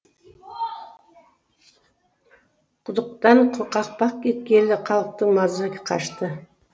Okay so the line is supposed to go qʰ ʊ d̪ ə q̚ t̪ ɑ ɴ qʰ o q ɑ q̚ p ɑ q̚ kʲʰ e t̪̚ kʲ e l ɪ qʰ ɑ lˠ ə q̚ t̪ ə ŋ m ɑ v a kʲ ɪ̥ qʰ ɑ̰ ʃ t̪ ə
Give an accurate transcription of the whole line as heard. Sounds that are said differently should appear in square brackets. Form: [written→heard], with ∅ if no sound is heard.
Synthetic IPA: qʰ ʊ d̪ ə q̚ t̪ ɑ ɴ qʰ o q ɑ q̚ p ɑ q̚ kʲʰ e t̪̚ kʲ e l ɪ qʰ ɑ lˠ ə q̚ t̪ ə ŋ m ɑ [v→z] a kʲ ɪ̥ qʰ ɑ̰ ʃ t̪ ə